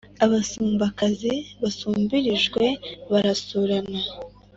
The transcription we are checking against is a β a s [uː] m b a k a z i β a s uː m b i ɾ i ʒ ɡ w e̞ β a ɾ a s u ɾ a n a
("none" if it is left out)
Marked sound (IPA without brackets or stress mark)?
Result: uː